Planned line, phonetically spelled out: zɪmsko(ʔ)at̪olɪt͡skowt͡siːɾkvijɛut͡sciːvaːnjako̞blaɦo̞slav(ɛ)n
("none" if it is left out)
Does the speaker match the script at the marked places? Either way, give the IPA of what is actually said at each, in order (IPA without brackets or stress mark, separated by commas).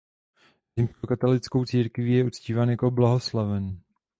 k, ɛ